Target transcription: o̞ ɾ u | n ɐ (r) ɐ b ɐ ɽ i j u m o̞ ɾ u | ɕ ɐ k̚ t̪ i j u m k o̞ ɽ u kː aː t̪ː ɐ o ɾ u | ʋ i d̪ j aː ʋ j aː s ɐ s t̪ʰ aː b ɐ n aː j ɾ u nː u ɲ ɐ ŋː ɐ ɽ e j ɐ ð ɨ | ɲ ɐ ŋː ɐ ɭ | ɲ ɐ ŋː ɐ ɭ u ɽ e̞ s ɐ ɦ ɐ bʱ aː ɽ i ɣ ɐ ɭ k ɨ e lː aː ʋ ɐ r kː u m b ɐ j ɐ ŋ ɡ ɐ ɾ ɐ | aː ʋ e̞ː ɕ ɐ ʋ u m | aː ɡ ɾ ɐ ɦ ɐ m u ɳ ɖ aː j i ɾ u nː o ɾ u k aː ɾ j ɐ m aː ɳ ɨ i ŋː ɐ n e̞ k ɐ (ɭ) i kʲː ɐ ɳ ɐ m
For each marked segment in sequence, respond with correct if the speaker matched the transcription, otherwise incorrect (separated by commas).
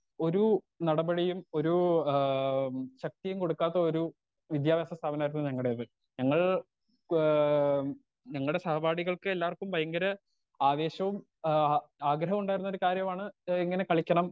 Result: incorrect, correct